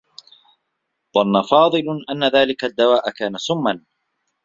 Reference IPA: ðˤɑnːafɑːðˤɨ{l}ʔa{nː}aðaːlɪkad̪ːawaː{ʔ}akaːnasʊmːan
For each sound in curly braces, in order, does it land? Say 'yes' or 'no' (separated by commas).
yes, yes, yes